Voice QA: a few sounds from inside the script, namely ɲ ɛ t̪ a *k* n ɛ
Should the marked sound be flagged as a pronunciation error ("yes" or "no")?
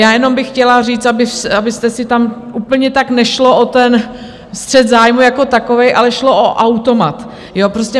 no